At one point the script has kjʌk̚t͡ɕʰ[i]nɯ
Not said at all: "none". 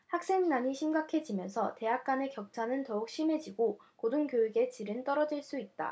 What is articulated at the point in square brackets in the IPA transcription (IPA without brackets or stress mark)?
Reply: a